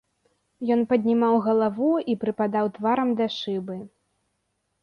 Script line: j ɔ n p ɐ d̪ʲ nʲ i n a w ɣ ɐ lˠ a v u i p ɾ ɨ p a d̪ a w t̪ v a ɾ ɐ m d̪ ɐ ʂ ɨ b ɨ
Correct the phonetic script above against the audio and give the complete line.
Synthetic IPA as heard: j ɔ n p ɐ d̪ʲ nʲ i m a w ɣ ɐ lˠ a v u i p ɾ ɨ p a d̪ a w t̪ v a ɾ ɐ m d̪ ɐ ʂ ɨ b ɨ